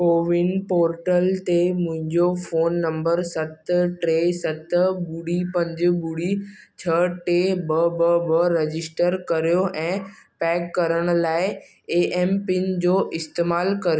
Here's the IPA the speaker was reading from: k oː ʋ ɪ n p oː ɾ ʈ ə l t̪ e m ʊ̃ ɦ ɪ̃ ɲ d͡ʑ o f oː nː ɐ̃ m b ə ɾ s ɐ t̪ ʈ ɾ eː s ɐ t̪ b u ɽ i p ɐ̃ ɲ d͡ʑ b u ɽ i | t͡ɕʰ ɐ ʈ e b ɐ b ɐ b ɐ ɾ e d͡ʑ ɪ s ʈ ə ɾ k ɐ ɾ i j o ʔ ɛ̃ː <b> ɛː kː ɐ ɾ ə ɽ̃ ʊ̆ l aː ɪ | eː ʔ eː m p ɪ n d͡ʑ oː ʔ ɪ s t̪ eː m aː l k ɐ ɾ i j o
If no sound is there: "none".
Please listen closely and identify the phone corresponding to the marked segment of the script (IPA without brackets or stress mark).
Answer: p